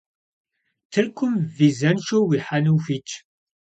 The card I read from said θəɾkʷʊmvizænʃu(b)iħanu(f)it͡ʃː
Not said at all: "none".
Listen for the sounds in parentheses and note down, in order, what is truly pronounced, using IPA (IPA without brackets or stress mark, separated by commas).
w, f